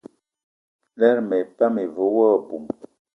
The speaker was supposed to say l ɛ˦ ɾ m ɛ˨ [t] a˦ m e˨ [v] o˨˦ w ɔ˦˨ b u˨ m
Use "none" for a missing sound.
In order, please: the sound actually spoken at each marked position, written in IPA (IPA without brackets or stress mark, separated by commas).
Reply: p, v